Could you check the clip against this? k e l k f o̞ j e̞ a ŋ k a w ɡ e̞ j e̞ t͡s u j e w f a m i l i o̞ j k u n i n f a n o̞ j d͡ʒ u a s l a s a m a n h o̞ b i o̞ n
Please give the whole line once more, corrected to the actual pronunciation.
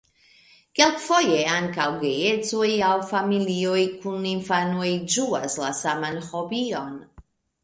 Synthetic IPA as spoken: k e l k f o̞ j e̞ a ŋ k a w ɡ e̞ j e̞ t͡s o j a w f a m i l i o̞ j k u n i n f a n o̞ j d͡ʒ u a s l a s a m a n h o̞ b i o̞ n